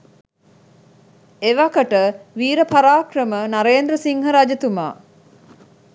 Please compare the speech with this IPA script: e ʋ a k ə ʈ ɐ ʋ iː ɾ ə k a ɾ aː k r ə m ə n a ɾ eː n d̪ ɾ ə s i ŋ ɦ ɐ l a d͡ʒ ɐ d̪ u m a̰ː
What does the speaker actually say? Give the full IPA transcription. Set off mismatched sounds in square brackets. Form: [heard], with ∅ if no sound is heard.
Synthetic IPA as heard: e ʋ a k ə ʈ [ə] ʋ iː ɾ ə [p] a ɾ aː k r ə m ə n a ɾ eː n d̪ ɾ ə s i ŋ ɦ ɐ [ɾ] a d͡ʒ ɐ [t̪] u m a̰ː